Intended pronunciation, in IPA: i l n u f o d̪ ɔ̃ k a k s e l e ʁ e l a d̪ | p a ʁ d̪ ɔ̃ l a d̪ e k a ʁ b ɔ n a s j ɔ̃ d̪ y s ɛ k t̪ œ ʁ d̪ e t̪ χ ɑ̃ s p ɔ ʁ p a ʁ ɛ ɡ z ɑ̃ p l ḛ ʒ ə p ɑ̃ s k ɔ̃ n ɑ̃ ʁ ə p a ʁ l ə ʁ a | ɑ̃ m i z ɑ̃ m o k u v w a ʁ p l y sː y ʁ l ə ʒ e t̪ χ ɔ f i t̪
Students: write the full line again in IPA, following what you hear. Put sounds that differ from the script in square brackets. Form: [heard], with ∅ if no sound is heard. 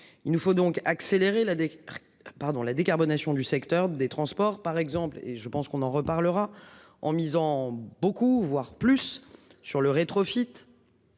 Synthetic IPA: i l n u f o d̪ ɔ̃ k a k s e l e ʁ e l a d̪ | p a ʁ d̪ ɔ̃ l a d̪ e k a ʁ b ɔ n a s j ɔ̃ d̪ y s ɛ k t̪ œ ʁ d̪ e t̪ χ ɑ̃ s p ɔ ʁ p a ʁ ɛ ɡ z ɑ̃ p l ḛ ʒ ə p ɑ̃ s k ɔ̃ n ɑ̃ ʁ ə p a ʁ l ə ʁ a | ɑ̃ m i z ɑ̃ [b] o k u v w a ʁ p l y sː y ʁ l ə [ʁ] e t̪ χ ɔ f i t̪